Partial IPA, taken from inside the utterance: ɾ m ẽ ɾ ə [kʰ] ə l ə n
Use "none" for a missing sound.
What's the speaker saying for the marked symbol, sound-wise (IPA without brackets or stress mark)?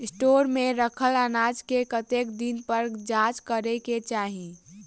kʰ